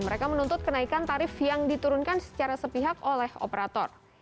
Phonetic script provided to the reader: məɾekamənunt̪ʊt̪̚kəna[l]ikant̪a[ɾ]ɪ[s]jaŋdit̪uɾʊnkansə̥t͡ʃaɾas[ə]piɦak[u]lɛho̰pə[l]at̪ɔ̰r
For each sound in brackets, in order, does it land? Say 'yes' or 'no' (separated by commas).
no, yes, no, yes, no, no